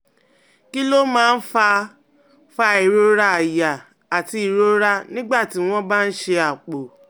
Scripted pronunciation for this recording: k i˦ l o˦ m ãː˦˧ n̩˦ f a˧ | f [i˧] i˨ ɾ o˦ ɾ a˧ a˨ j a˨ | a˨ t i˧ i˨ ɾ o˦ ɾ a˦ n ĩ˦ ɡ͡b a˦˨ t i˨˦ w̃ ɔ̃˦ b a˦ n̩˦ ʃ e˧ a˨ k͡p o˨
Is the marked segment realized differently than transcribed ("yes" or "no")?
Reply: yes